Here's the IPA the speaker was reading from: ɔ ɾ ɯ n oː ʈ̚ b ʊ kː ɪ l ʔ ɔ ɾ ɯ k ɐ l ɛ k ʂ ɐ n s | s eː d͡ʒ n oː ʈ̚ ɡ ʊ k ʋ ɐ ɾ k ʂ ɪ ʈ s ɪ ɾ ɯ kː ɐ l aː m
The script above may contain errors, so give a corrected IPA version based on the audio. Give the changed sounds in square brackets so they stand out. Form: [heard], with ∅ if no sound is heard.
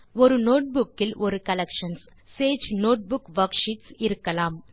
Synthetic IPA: ɔ ɾ ɯ n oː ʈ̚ b ʊ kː ɪ l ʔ ɔ ɾ ɯ k ɐ l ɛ k ʂ ɐ n s | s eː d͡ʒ n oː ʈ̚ [b] ʊ k ʋ ɐ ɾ k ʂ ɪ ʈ s ɪ ɾ ɯ kː ɐ l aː m